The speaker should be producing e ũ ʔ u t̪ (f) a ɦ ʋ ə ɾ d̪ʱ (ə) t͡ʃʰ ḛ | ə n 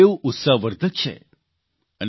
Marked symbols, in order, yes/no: no, yes

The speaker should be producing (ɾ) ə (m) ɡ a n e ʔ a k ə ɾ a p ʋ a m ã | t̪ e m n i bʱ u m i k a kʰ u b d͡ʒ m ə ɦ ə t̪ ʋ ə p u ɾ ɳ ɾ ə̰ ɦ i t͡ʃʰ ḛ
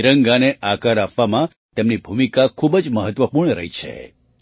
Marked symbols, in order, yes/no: yes, no

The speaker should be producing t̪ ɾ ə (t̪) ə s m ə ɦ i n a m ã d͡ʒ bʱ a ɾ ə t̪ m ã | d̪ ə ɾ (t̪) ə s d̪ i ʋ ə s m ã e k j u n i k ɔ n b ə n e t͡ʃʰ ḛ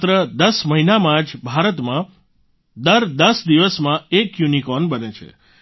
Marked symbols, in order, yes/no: no, no

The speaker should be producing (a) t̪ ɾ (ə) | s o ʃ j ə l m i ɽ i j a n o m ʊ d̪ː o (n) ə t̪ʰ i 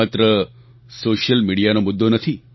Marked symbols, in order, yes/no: yes, yes, yes

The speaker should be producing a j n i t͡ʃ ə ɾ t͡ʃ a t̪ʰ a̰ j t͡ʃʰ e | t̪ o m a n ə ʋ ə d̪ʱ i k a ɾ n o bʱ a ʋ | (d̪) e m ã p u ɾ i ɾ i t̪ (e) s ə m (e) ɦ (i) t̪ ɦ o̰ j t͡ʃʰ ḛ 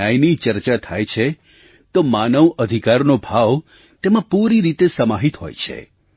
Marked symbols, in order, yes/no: no, yes, no, yes

